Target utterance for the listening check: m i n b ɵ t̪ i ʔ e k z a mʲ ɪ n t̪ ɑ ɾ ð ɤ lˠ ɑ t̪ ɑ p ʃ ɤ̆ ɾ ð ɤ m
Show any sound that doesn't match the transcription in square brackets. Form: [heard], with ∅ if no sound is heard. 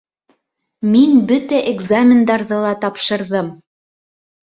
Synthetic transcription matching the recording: m i n b ɵ t̪ [æ] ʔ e [ɡ] z a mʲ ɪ n [d̪] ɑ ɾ ð ɤ lˠ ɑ t̪ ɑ p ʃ ɤ̆ ɾ ð ɤ m